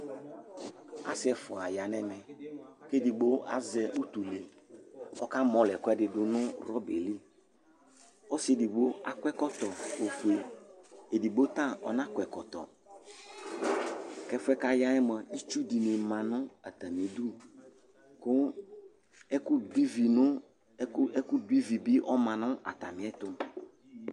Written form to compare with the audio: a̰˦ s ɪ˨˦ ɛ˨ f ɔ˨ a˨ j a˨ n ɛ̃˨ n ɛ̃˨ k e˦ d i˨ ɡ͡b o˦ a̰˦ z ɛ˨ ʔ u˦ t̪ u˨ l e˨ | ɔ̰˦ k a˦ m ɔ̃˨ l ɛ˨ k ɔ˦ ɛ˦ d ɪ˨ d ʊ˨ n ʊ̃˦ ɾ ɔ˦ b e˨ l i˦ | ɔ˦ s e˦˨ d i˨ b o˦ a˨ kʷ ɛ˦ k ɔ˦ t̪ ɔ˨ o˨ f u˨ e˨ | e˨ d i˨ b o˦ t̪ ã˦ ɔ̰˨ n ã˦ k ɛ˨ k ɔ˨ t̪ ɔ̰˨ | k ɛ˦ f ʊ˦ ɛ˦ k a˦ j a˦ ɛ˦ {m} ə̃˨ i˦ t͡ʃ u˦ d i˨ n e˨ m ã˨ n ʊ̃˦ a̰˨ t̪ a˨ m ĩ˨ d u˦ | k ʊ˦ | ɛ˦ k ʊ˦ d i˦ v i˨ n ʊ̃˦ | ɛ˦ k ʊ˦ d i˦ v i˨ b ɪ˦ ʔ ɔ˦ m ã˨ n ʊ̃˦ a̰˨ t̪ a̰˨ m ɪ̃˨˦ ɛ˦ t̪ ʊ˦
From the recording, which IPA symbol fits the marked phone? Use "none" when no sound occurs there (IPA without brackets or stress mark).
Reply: m